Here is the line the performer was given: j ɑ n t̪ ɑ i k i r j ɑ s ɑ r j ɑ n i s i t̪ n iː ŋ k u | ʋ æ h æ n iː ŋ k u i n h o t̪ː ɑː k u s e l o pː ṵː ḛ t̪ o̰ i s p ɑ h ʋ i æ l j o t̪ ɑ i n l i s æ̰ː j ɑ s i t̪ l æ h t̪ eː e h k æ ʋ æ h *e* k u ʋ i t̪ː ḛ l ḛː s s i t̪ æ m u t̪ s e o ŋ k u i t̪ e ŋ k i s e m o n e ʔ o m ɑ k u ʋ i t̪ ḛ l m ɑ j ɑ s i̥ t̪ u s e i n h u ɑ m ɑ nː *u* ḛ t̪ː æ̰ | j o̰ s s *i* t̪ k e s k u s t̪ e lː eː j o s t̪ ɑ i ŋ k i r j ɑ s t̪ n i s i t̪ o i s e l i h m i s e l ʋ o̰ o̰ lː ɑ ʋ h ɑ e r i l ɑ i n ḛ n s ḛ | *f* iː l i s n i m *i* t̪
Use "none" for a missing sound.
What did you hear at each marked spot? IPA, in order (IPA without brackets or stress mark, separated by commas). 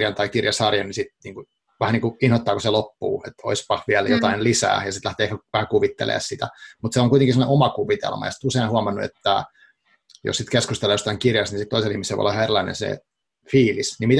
æ, u, i, f, i